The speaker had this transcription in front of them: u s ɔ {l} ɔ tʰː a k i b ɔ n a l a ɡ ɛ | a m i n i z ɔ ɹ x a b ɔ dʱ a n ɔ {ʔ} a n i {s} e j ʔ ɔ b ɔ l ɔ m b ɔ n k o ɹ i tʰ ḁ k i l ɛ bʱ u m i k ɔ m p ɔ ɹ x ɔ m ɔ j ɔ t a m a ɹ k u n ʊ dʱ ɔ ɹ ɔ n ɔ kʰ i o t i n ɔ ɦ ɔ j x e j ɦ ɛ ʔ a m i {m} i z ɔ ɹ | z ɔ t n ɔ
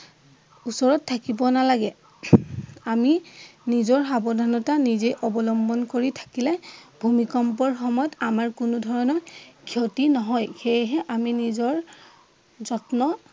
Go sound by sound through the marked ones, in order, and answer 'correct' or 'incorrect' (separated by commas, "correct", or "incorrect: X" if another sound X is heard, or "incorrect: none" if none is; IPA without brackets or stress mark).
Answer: incorrect: ɹ, incorrect: t, incorrect: z, incorrect: n